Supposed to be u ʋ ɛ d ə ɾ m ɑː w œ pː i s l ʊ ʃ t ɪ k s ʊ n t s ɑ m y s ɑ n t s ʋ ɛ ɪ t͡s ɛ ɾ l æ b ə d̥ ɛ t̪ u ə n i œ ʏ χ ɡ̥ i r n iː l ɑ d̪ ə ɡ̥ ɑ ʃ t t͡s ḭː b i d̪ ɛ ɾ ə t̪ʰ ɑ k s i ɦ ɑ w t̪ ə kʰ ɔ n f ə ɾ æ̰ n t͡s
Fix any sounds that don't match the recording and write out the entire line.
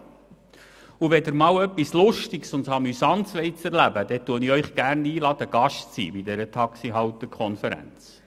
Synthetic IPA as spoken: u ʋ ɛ d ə ɾ m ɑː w œ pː i s l ʊ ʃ t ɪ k s ʊ n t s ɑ m y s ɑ n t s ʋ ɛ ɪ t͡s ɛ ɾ l æ b ə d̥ ɛ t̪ u ə n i œ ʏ χ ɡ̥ æ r n iː l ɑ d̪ ə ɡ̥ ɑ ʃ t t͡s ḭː b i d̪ ɛ ɾ ə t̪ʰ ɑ k s i ɦ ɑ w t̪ ə kʰ ɔ n f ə ɾ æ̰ n t͡s